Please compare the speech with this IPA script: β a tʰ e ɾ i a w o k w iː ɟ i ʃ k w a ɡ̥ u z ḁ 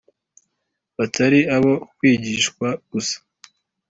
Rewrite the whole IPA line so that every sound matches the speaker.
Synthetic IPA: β a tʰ a ɾ i a β o k w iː ɟ i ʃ k w a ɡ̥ u s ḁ